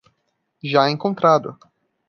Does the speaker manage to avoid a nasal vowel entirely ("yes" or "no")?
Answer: no